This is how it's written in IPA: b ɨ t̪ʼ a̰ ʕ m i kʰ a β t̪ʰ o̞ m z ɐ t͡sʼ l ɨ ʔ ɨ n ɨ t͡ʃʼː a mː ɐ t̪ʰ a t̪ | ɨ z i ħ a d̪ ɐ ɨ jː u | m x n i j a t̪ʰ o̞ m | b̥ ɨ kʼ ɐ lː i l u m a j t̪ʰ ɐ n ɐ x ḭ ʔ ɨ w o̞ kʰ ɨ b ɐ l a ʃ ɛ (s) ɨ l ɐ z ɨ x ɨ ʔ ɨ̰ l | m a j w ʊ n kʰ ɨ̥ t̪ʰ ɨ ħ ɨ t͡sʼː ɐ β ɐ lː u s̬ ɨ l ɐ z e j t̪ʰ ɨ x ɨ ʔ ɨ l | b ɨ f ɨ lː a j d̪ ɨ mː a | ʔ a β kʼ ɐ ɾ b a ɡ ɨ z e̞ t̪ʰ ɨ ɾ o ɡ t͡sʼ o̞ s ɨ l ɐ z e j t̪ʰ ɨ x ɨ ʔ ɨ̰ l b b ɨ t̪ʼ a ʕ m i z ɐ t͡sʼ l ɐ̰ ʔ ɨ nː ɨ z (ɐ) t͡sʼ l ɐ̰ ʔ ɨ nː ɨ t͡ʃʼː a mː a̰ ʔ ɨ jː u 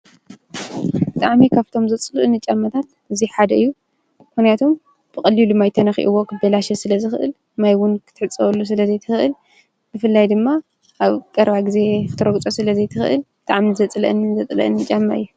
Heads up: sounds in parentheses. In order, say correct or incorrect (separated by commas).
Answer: correct, correct